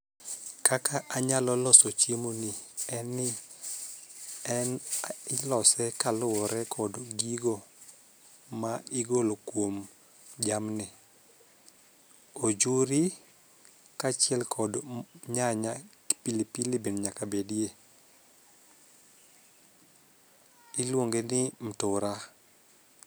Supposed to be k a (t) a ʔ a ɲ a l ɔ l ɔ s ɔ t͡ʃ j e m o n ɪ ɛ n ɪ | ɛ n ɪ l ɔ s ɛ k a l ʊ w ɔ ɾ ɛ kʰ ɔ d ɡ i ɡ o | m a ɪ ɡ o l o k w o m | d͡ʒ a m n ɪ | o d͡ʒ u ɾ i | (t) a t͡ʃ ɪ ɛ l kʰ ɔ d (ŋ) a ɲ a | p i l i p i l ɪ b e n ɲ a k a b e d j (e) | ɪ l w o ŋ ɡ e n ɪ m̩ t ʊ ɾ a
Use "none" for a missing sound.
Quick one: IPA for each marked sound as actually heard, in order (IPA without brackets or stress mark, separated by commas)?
k, k, ɲ, e